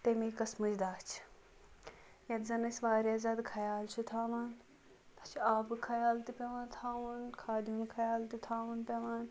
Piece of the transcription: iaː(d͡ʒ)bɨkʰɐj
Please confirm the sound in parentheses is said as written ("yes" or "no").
no